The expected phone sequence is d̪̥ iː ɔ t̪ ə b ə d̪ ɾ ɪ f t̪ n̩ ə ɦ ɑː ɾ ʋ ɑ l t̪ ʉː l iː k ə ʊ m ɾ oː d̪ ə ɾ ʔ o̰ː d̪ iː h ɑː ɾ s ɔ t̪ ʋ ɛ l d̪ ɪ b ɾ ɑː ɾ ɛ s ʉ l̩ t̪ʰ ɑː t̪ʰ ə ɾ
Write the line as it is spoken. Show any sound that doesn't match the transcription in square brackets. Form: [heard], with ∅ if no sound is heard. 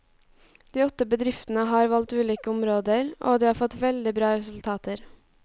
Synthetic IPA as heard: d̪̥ iː ɔ t̪ ə b ə d̪ ɾ ɪ f t̪ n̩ ə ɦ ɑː ɾ ʋ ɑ l t̪ ʉː l iː k ə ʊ m ɾ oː d̪ ə ɾ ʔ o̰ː d̪ iː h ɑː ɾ [f] ɔ t̪ ʋ ɛ l d̪ ɪ b ɾ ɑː ɾ ɛ s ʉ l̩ t̪ʰ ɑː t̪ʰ ə ɾ